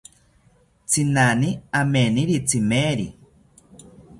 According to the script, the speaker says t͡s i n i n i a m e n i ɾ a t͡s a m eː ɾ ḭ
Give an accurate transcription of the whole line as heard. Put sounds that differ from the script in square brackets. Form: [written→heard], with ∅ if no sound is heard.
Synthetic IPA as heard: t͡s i n [i→a] n i a m e n i ɾ [a→i] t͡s [a→i] m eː ɾ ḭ